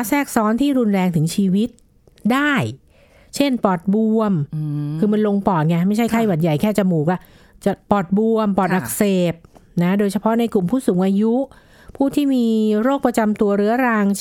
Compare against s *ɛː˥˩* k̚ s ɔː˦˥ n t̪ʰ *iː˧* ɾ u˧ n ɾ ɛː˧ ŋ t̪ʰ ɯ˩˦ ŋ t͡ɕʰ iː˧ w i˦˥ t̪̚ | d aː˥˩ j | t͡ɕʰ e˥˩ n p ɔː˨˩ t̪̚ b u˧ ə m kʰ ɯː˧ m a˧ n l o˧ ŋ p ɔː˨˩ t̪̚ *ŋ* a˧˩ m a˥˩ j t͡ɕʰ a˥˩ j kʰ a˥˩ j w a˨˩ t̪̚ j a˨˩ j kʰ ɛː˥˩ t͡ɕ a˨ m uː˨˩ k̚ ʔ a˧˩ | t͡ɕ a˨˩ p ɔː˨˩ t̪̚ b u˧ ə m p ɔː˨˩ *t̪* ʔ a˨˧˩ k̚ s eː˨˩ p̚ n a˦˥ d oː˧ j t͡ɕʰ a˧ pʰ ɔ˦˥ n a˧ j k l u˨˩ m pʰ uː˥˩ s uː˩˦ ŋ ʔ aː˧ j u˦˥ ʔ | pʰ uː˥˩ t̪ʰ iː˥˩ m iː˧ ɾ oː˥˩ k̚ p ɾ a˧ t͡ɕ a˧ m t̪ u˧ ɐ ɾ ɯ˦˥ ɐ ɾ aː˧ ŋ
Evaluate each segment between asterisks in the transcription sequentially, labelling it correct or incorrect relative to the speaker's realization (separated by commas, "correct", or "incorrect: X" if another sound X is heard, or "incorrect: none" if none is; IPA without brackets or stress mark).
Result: correct, incorrect: iː˥˩, correct, correct